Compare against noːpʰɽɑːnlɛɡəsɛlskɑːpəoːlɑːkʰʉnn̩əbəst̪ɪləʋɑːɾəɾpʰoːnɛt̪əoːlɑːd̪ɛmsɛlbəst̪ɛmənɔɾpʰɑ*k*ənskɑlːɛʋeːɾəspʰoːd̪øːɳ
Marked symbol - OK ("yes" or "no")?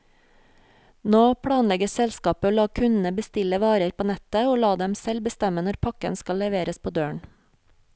yes